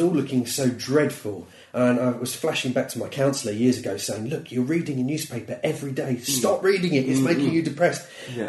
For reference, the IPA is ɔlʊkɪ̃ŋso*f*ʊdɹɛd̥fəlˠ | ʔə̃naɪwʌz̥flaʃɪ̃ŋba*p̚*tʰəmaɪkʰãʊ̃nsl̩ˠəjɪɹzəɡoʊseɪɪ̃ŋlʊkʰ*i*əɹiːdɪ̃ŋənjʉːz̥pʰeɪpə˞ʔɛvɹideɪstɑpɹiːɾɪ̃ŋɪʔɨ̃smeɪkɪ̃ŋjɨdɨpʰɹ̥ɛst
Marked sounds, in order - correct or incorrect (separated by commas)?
incorrect, incorrect, incorrect